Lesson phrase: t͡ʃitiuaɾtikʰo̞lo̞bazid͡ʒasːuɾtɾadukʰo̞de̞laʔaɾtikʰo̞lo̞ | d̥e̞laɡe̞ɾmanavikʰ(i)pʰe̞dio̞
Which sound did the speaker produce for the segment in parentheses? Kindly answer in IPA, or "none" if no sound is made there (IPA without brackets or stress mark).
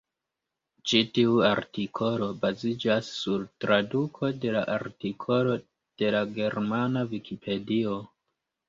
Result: i